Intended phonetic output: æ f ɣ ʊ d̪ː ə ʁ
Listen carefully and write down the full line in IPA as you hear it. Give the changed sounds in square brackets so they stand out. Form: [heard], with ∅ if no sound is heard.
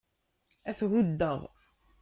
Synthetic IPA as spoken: æ [θ] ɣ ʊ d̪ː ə ʁ